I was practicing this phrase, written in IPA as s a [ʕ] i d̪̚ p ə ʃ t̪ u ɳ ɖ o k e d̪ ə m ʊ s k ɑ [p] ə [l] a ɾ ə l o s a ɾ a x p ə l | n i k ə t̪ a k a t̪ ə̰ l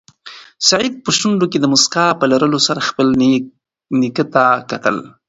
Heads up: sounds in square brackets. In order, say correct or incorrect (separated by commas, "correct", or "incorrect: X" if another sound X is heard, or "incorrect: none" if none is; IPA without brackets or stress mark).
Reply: correct, correct, correct